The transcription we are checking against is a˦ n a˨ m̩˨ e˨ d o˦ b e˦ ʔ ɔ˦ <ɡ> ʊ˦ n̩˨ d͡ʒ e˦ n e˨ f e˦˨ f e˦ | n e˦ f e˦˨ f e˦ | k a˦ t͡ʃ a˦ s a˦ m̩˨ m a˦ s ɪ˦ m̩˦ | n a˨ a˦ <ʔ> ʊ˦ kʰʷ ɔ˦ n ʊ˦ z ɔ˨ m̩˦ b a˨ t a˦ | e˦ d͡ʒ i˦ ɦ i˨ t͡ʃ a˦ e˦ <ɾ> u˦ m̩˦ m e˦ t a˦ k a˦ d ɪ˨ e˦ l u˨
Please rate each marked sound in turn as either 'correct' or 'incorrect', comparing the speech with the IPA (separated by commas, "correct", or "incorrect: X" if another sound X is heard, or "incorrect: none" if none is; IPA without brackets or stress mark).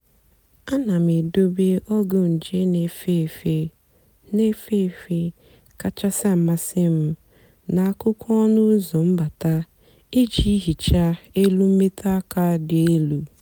correct, incorrect: k, incorrect: l